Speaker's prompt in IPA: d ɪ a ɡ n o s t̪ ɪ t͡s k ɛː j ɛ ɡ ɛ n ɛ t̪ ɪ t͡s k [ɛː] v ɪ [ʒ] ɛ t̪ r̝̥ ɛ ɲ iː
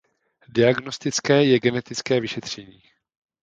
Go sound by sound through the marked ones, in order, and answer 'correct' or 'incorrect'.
correct, incorrect: ʃ

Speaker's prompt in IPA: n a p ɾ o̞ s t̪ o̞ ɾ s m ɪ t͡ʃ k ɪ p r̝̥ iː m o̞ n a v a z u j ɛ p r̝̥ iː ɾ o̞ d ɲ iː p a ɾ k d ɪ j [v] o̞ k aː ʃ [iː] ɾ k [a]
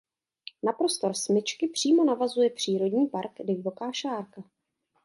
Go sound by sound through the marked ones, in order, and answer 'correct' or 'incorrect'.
correct, incorrect: aː, correct

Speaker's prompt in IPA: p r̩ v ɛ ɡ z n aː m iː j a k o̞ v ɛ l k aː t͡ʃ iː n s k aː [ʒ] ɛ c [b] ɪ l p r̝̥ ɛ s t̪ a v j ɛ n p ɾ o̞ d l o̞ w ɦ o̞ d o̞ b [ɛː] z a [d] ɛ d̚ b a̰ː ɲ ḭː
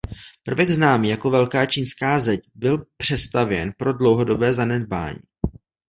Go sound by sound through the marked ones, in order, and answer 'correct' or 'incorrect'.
incorrect: z, correct, correct, incorrect: n

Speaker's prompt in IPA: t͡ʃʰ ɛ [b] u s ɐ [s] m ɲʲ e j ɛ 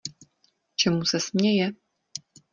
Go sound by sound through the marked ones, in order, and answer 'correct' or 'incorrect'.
incorrect: m, correct

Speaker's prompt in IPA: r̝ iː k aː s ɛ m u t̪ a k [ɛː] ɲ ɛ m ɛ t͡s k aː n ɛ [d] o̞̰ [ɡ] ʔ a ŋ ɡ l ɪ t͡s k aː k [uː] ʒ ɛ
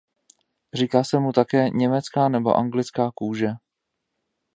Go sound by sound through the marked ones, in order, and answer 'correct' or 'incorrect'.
correct, incorrect: b, incorrect: none, correct

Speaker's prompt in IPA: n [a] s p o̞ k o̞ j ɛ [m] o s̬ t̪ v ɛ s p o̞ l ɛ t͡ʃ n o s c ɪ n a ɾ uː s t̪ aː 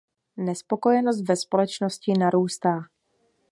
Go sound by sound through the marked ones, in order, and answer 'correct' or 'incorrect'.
incorrect: ɛ, incorrect: n

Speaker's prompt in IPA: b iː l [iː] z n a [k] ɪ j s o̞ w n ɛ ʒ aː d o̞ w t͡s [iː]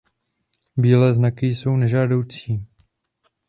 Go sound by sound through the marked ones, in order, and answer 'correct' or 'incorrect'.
incorrect: ɛː, correct, correct

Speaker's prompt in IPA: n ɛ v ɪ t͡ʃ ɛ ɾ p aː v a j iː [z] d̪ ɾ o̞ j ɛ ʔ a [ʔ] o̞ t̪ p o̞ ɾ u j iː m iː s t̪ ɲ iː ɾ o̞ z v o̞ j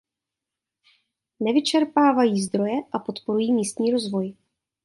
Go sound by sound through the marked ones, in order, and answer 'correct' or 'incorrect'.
correct, incorrect: p

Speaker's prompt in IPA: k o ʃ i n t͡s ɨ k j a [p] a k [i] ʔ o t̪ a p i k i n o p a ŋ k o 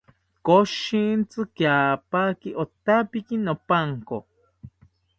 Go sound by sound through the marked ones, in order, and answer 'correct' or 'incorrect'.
correct, correct

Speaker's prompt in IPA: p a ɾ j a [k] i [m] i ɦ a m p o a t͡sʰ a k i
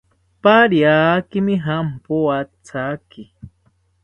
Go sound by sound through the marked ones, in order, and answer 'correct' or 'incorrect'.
correct, correct

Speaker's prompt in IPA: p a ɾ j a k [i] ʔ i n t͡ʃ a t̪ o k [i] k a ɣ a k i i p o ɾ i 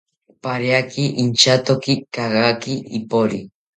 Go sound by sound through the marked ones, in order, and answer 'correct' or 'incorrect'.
correct, correct

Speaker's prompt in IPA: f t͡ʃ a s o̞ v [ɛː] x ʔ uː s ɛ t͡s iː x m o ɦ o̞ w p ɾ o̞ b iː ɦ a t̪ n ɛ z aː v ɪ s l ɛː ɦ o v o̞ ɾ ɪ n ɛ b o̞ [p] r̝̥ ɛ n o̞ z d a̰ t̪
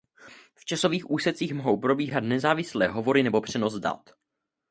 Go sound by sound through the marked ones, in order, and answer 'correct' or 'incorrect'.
incorrect: iː, correct

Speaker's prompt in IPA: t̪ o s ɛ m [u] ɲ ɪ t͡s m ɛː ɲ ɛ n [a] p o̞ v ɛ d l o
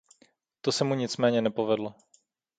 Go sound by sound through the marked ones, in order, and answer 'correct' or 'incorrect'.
correct, incorrect: ɛ

